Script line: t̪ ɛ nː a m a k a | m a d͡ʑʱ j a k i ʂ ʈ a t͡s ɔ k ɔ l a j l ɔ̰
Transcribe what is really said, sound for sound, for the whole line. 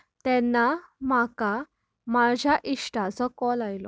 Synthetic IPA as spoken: t̪ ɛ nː a m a k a | m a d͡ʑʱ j a ʔ i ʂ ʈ a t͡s ɔ k ɔ l a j l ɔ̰